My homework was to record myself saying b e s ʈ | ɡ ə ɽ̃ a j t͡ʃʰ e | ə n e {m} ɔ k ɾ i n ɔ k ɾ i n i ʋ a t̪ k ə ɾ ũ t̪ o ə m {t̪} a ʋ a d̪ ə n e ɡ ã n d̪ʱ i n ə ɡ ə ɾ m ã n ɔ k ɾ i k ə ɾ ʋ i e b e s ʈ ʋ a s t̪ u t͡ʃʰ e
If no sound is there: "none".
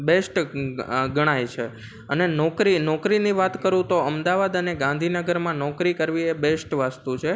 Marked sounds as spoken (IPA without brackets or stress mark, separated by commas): n, d̪